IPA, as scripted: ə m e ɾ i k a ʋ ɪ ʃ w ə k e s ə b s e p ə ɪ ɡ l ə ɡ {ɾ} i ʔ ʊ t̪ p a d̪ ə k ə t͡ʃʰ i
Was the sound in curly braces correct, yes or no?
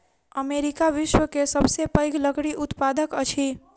no